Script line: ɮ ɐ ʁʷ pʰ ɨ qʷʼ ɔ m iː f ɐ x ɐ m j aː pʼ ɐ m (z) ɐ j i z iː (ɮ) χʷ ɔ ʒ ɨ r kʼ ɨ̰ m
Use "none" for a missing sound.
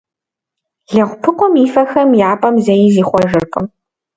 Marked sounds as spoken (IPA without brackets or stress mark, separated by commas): z, none